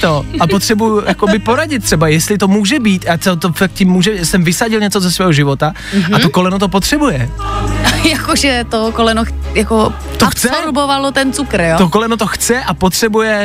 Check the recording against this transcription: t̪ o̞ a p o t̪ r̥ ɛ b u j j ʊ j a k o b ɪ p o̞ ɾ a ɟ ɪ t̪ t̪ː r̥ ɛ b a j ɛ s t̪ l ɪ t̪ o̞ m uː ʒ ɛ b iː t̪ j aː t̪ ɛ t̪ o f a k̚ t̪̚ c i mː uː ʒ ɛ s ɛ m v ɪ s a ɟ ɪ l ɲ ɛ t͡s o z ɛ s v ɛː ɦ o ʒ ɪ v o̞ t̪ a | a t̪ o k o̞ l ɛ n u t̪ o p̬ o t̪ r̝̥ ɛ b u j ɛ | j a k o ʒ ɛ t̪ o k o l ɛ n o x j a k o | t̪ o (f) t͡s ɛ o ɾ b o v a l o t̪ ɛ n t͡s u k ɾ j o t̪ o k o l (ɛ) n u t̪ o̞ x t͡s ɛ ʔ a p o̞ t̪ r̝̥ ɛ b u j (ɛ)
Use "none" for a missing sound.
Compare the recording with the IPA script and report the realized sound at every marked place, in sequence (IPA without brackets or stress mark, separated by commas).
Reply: x, ɛ, ɛ